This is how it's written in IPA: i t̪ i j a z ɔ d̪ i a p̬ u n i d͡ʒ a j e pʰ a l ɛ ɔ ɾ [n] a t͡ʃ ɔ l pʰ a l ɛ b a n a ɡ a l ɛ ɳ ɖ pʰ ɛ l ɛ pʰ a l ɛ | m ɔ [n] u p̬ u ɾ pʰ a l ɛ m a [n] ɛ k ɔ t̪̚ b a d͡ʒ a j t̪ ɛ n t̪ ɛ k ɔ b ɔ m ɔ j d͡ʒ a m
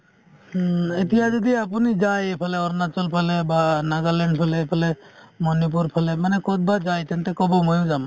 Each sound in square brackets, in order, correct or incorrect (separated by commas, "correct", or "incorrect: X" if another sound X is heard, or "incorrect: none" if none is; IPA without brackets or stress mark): correct, correct, correct